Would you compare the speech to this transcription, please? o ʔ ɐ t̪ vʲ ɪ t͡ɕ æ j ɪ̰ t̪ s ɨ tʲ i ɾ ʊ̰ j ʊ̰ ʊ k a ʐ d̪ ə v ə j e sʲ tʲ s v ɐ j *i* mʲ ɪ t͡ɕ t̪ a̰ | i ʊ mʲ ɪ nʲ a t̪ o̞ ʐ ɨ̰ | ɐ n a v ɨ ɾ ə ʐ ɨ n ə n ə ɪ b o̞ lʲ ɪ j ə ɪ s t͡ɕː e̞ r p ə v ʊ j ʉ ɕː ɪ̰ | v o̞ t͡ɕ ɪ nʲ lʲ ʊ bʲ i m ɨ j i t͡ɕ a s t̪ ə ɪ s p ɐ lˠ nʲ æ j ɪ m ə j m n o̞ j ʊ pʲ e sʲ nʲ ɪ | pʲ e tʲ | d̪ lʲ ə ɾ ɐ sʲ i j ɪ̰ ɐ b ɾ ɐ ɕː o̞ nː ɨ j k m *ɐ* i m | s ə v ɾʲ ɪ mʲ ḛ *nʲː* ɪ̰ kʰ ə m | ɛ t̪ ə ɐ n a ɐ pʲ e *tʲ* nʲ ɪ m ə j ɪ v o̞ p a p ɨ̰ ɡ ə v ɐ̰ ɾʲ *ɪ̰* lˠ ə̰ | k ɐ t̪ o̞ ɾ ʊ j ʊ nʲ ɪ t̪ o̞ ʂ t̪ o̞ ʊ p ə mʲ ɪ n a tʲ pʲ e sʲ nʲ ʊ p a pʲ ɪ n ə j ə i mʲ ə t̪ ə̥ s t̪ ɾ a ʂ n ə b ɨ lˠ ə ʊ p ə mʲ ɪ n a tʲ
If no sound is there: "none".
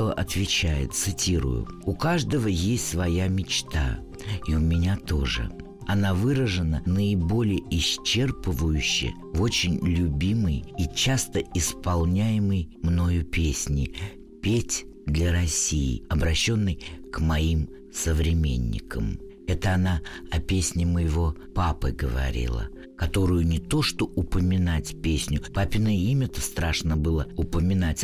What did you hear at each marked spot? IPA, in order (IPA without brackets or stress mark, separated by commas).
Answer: a, ɐ, nʲː, sʲ, ḭ